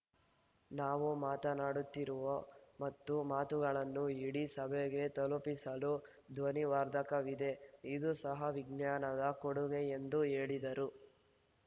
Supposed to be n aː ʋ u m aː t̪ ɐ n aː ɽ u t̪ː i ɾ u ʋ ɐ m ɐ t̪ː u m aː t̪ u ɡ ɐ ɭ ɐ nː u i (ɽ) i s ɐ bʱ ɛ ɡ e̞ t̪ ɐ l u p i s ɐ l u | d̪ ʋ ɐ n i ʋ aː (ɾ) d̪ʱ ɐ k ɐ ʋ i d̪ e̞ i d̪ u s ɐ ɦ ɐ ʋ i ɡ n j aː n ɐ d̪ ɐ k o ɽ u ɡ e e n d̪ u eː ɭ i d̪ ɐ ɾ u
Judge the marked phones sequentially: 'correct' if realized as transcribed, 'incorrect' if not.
correct, correct

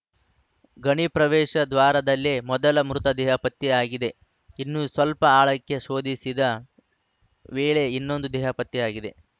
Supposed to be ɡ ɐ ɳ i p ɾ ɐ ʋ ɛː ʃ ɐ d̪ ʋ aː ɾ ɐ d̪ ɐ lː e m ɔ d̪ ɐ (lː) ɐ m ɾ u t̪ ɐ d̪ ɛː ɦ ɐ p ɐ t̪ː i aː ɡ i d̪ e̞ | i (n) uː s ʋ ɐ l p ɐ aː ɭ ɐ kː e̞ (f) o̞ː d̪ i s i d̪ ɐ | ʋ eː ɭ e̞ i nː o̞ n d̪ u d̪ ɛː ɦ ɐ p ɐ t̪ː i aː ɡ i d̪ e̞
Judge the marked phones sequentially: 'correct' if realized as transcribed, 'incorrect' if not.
incorrect: l, incorrect: nː, incorrect: ʃ

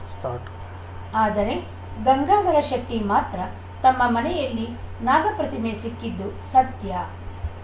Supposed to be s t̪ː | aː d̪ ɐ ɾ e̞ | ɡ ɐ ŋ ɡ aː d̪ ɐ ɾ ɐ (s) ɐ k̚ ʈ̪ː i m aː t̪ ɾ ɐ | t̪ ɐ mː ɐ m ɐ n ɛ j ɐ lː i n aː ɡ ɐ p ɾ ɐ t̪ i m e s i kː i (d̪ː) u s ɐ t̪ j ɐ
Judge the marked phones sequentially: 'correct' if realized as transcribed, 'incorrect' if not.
incorrect: ʃ, correct

